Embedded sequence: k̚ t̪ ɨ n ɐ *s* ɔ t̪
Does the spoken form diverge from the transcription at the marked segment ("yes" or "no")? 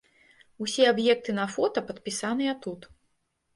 yes